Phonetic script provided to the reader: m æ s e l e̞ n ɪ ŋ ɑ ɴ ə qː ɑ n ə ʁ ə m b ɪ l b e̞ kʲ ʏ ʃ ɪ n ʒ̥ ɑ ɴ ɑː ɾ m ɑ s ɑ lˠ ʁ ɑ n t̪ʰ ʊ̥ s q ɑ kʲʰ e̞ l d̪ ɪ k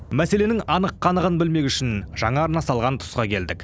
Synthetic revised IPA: m æ s e l e̞ n ɪ ŋ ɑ n ə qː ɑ n ə ʁ ə n b ɪ l m e̞ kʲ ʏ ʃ ɪ n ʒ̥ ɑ ɴ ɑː ɾ n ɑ s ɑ lˠ ʁ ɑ n t̪ʰ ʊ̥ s q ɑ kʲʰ e̞ l d̪ ɪ k